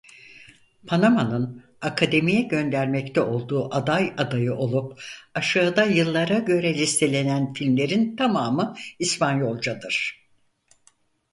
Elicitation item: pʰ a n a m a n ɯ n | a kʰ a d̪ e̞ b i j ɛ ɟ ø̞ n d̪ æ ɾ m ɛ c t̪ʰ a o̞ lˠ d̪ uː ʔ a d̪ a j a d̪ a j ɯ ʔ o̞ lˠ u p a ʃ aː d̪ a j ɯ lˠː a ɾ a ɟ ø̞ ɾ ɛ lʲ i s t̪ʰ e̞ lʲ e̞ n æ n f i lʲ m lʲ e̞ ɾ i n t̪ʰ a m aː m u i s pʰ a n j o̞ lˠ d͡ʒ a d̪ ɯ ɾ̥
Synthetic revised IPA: pʰ a n a m a n ɯ n | a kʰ a d̪ e̞ m i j ɛ ɟ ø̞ n d̪ æ ɾ m ɛ c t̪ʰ ɛ o̞ lˠ d̪ uː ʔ a d̪ a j a d̪ a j ɯ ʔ o̞ lˠ u p a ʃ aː d̪ a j ɯ lˠː a ɾ a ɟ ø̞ ɾ ɛ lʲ i s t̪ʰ e̞ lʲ e̞ n æ n f i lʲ m lʲ e̞ ɾ i n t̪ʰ a m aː m ɯ i s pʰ a n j o̞ lˠ d͡ʒ a d̪ ɯ ɾ̥